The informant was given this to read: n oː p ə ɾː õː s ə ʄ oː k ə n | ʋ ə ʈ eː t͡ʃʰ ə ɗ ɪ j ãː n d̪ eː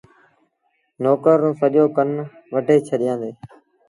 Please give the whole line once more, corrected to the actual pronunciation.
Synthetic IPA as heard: n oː k ə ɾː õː s ə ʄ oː k ə n | ʋ ə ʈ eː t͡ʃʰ ə ɗ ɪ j ãː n d̪ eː

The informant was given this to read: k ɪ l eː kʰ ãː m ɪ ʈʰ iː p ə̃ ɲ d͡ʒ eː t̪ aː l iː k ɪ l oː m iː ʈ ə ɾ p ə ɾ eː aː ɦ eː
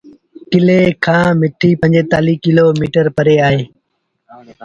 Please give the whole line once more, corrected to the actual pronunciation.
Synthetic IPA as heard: k ɪ l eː kʰ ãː m ɪ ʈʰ iː p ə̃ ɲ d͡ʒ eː t̪ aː l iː k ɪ l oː m iː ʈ ə ɾ p ə ɾ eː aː ɦ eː

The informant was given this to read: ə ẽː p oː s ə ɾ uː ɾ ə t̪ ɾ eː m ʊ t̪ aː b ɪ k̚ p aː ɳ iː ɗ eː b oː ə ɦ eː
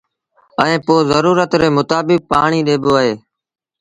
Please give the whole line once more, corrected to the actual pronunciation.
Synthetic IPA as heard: ə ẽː p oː z ə ɾ uː ɾ ə t̪ ɾ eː m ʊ t̪ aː b ɪ k̚ p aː ɳ iː ɗ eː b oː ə ɦ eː

